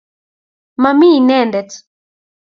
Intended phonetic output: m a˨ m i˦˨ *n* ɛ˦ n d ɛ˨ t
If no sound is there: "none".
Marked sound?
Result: n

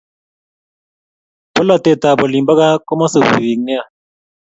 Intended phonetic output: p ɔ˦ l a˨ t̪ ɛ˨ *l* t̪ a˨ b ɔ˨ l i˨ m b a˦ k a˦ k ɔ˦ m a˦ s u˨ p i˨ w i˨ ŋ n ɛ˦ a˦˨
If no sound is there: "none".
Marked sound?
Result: none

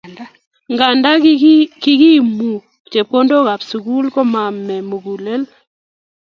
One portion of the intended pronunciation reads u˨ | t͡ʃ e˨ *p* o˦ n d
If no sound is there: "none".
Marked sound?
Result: p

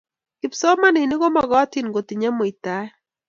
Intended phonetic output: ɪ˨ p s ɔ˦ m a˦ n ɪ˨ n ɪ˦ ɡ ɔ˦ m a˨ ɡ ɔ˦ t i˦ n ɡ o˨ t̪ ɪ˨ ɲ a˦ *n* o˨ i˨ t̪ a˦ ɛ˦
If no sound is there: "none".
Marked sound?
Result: m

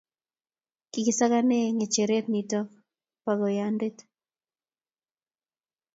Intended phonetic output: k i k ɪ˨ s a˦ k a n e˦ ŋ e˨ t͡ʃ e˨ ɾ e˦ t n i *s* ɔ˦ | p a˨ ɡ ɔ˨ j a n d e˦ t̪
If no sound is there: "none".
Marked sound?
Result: t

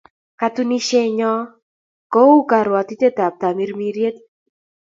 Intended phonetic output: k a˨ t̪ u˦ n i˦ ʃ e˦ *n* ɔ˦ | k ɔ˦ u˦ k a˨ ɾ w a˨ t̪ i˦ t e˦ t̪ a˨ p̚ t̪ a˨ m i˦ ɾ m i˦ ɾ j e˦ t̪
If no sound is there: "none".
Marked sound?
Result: ɲ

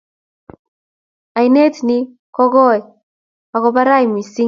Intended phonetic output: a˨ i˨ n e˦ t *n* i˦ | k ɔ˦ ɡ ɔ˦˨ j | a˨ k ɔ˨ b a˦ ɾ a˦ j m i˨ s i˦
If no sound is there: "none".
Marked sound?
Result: n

